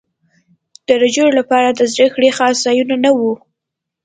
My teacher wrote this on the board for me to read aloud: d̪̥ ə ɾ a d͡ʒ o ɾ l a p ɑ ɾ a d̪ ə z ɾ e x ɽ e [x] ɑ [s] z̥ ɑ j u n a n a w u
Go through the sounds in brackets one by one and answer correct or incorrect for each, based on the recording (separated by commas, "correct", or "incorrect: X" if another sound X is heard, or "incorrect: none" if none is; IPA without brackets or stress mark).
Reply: correct, correct